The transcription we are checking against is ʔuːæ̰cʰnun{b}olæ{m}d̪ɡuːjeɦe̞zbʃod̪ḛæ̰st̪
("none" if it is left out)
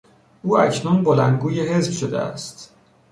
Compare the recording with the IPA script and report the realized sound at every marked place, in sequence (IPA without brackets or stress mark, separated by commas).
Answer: b, n